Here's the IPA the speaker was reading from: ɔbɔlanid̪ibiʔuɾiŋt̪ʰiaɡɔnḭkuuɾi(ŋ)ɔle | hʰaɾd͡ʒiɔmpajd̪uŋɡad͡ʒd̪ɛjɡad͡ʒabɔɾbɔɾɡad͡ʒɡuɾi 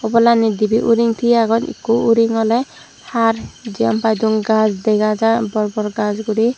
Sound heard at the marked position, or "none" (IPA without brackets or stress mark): ŋ